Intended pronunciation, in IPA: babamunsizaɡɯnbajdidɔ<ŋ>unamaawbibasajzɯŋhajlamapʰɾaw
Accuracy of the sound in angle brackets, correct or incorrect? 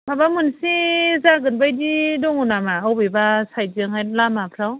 correct